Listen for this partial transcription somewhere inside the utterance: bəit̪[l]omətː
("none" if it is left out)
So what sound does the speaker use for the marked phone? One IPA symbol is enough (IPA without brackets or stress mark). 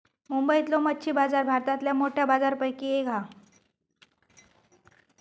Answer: l